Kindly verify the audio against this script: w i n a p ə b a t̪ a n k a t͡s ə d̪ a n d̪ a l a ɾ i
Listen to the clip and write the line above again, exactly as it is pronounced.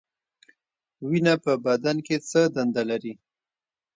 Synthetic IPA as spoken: w i n a p ə b a d̪ a n k e t͡s ə d̪ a n d̪ a l a ɾ i